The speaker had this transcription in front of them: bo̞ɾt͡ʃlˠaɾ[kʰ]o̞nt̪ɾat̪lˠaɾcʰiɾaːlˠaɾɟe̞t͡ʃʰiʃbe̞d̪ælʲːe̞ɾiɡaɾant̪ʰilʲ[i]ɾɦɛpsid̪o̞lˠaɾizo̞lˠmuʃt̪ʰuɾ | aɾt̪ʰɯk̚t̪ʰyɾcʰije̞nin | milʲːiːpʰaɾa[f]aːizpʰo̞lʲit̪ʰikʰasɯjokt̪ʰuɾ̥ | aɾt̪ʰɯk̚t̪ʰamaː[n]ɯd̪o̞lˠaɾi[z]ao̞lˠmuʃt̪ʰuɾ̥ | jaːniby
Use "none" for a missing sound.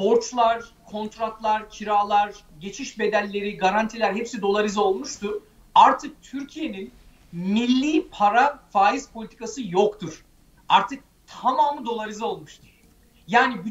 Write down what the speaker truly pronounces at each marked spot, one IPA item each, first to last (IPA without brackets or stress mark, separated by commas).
kʰ, æ, f, m, z